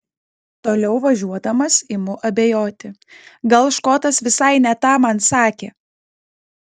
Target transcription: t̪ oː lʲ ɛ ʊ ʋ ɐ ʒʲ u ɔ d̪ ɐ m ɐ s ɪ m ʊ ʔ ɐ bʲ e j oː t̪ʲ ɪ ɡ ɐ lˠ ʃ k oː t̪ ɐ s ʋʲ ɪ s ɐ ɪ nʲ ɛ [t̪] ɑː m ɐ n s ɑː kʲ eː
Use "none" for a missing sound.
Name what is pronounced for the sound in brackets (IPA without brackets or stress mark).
t̪